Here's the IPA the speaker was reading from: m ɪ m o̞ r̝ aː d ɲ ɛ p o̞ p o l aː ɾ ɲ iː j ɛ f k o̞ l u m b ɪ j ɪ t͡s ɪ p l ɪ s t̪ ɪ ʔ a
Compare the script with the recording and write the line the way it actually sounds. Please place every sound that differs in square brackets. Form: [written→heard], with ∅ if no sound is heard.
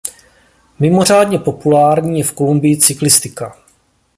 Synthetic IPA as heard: m ɪ m o̞ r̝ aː d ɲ ɛ p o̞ p [o→u] l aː ɾ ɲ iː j ɛ f k o̞ l u m b ɪ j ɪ t͡s ɪ [p→k] l ɪ s t̪ ɪ [ʔ→k] a